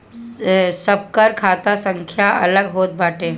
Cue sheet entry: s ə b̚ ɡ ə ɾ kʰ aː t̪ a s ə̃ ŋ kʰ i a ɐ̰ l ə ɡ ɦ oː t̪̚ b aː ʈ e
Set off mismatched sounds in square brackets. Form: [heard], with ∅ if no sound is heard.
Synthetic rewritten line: s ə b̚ [k] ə ɾ kʰ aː t̪ a s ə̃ ŋ kʰ [j] a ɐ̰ l ə ɡ ɦ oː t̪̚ b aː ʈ e